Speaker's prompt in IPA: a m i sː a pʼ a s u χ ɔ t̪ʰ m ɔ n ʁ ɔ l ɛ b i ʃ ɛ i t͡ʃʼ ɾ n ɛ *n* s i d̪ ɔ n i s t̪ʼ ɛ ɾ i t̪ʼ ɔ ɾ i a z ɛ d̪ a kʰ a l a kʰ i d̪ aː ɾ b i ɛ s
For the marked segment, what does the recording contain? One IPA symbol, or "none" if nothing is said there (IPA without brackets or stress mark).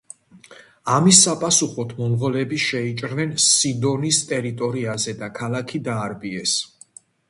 n